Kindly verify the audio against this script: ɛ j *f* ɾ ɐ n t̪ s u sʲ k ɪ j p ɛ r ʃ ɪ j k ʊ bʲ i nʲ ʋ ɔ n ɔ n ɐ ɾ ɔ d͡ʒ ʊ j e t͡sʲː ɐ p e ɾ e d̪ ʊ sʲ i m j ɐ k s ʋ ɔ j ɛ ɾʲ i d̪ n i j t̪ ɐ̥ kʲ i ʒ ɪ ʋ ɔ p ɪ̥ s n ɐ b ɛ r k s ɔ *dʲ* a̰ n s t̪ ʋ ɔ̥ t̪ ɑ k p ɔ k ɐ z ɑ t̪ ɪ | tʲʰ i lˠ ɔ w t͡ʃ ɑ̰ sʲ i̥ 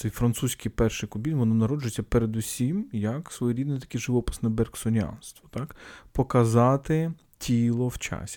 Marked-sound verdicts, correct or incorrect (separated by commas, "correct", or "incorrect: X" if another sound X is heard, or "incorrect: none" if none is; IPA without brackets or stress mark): correct, incorrect: nʲ